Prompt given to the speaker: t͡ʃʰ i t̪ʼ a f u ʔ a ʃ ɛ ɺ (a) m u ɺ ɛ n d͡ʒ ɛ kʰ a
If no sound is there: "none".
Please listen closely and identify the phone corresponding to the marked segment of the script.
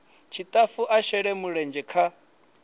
ɛ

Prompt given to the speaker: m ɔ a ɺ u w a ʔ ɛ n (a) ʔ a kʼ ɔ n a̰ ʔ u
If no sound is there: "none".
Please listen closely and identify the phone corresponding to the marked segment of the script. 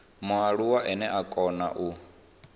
ɛ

